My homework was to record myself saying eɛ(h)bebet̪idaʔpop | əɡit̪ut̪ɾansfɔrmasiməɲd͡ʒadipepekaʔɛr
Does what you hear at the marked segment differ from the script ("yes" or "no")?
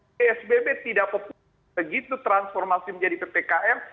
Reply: yes